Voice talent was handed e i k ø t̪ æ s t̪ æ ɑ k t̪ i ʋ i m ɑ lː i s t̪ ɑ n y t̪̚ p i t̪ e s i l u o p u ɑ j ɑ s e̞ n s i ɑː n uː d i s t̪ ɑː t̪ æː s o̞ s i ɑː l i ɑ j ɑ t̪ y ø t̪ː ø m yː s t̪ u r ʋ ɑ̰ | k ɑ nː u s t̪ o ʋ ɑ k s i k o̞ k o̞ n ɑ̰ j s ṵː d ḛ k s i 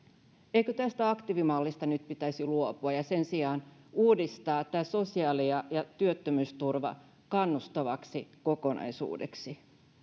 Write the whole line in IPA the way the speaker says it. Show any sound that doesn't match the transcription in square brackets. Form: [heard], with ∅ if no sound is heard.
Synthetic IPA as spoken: e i k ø t̪ æ s t̪ æ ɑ k t̪ i ʋ i m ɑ lː i s t̪ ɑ n y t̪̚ p i t̪ [æ] s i l u o p u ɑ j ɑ s e̞ n s i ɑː n uː d i s t̪ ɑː t̪ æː s o̞ s i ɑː l i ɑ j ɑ t̪ y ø t̪ː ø m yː s t̪ u r ʋ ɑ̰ | k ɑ nː u s t̪ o ʋ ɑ k s i k o̞ k o̞ n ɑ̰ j s ṵː d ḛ k s i